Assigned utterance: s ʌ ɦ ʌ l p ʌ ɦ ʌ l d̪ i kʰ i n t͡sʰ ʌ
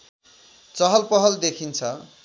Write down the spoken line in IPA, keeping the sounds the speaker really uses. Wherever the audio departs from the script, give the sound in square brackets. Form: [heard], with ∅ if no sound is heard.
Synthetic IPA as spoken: [t͡s] ʌ ɦ ʌ l p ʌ ɦ ʌ l d̪ [e] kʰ i n t͡sʰ ʌ